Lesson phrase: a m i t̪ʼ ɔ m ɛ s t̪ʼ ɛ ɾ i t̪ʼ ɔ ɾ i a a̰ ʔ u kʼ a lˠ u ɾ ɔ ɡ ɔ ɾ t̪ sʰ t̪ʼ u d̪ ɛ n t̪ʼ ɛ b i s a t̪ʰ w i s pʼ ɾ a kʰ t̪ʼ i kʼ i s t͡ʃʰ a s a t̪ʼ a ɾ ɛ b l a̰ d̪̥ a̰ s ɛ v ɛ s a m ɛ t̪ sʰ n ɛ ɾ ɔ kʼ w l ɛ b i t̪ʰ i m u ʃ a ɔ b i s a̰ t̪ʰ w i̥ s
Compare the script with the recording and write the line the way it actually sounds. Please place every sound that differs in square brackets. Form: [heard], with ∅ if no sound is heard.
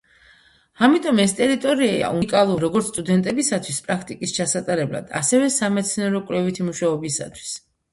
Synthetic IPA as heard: a m i t̪ʼ ɔ m ɛ s t̪ʼ ɛ ɾ i t̪ʼ ɔ ɾ i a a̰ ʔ u kʼ a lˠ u ɾ ɔ ɡ ɔ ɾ t̪ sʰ t̪ʼ u d̪ ɛ n t̪ʼ ɛ b i s a t̪ʰ w i s pʼ ɾ a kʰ t̪ʼ i kʼ i s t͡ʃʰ a s a t̪ʼ a ɾ ɛ b l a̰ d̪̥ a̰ s ɛ v ɛ s a m ɛ t̪ sʰ n ɛ ɾ ɔ kʼ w l ɛ [v] i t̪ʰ i m u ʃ a ɔ b i s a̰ t̪ʰ w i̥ s